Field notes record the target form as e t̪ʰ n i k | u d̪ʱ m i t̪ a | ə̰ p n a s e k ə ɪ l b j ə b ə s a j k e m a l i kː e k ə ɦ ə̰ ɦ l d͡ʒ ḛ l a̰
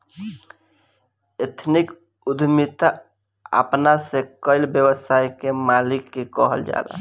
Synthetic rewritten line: e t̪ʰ n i k | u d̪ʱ m i t̪ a | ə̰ p n a s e k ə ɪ l b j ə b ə s a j k e m a l i kː e k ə ɦ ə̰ l d͡ʒ a̰ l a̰